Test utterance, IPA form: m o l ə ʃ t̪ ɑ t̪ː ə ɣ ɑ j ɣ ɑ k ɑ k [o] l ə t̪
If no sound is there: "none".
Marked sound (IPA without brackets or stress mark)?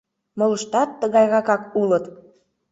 u